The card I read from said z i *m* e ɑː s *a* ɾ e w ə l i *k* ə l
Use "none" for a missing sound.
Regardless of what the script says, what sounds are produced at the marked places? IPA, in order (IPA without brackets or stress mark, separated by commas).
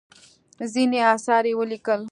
n, ɑ, k